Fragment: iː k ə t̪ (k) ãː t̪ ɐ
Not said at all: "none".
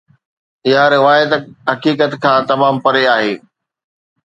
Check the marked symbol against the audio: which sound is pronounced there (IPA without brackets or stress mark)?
kʰ